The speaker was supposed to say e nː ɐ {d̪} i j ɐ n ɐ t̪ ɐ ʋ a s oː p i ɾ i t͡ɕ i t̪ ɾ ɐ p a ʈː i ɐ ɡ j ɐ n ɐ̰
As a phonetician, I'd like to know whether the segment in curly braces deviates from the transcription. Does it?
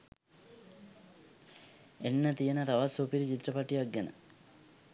yes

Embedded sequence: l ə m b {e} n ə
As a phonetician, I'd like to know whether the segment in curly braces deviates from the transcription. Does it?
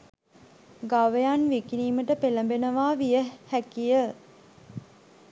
no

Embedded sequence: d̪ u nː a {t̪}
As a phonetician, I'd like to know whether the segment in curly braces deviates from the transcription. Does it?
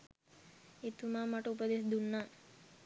yes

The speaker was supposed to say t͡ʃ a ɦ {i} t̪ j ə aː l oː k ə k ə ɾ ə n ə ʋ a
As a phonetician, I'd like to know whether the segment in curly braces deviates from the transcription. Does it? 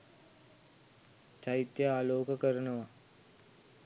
no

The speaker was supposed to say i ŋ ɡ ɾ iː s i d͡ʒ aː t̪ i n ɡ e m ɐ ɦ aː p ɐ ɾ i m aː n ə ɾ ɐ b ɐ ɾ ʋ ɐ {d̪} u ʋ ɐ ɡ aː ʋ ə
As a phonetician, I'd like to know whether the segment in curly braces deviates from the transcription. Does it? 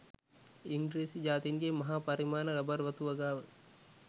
yes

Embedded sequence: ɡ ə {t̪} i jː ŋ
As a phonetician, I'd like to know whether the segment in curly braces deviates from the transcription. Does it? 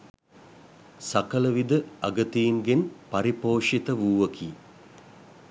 no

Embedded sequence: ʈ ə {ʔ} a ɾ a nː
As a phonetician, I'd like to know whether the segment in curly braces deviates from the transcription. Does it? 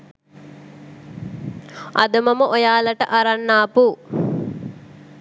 no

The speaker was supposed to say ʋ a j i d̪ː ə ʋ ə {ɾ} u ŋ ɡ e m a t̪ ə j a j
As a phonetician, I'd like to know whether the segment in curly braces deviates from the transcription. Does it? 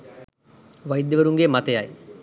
no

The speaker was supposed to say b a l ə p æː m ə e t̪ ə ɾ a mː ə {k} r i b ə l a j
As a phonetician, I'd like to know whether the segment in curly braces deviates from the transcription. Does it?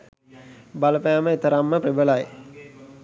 yes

